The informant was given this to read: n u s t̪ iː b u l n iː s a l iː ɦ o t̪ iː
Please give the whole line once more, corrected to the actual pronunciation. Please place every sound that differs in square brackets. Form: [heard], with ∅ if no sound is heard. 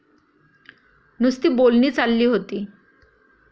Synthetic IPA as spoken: n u s t̪ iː b [o] l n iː [t͡s] a [lː] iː ɦ o t̪ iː